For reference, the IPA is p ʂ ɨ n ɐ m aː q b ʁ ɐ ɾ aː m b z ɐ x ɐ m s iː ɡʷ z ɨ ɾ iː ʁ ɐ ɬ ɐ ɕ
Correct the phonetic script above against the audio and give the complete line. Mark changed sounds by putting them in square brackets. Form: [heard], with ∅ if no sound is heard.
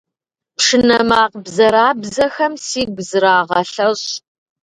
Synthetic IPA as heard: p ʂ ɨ n ɐ m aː q b [z] ɐ ɾ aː [∅] b z ɐ x ɐ m s iː ɡʷ z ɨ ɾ [aː] ʁ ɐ ɬ ɐ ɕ